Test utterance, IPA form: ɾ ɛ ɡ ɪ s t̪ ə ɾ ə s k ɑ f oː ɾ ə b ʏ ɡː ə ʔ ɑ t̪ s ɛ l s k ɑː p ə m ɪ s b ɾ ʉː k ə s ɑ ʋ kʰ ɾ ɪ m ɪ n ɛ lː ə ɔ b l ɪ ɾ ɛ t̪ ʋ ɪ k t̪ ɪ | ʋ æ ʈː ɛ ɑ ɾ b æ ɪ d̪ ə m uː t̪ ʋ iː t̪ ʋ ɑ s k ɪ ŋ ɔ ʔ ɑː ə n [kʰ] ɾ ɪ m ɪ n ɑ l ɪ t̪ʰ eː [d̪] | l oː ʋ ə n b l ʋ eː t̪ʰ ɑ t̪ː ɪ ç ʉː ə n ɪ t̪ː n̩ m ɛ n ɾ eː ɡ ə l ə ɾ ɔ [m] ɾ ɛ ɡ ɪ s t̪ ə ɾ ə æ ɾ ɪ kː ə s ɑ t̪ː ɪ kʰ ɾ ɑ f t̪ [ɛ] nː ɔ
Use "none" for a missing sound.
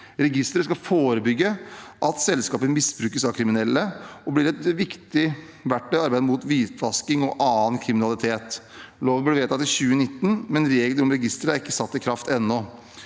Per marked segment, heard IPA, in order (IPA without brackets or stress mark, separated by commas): kʰ, t̪, m, ɛ